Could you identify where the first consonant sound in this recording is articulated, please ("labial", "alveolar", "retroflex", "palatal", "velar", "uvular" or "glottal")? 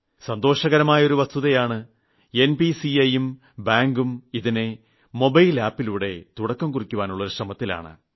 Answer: alveolar